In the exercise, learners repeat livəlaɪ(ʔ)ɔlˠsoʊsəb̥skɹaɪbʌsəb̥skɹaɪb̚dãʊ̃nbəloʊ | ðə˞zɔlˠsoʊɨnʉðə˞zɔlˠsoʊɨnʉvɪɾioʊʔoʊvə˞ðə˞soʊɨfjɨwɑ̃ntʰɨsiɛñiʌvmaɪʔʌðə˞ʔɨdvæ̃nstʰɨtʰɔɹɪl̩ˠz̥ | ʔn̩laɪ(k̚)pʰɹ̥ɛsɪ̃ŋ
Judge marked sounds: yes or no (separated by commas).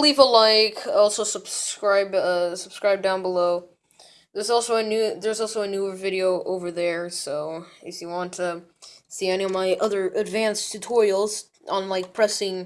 no, yes